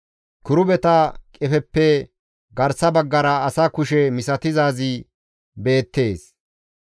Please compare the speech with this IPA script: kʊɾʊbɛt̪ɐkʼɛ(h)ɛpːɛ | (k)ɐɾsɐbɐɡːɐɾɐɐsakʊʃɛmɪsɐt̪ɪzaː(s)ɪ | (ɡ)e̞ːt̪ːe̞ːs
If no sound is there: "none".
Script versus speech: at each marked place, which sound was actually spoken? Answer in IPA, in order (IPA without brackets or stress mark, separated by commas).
f, ɡ, z, b